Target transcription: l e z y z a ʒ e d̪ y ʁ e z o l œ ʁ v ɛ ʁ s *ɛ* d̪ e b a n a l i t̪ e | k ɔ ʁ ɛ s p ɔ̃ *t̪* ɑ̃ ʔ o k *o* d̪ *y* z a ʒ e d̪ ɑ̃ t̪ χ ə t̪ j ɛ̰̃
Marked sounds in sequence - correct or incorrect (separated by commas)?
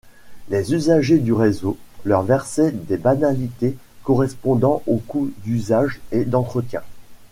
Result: correct, incorrect, incorrect, correct